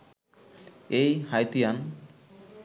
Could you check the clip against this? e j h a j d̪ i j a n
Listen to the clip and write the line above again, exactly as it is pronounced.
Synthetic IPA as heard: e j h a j t̪ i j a n